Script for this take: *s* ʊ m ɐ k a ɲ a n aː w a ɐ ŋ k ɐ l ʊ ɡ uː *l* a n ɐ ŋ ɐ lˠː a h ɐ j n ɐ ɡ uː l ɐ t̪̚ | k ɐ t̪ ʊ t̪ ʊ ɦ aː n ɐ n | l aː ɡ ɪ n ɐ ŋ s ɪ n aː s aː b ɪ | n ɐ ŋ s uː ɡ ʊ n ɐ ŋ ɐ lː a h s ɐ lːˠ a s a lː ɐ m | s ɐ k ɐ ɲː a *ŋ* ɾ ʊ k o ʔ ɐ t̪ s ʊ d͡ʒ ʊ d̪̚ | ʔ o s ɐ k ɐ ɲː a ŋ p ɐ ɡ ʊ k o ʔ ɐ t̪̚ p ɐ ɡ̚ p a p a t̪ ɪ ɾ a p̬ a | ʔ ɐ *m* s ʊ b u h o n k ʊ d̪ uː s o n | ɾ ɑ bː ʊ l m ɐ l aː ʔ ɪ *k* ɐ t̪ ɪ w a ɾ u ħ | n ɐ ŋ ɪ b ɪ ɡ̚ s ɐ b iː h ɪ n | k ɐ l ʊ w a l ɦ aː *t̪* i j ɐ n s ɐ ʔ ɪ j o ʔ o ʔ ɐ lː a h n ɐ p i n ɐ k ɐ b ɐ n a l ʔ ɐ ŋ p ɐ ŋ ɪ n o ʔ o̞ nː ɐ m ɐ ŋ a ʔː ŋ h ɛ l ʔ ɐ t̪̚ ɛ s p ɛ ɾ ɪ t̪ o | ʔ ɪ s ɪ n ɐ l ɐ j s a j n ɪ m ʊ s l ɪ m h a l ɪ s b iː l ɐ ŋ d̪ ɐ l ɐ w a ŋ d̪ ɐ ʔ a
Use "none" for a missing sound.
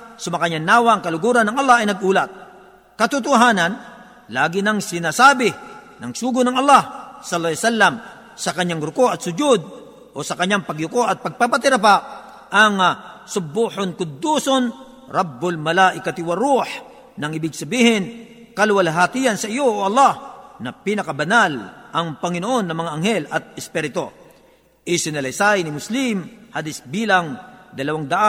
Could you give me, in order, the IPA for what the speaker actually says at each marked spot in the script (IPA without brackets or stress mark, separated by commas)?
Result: s, ɾ, ŋ, ŋ, k, t̪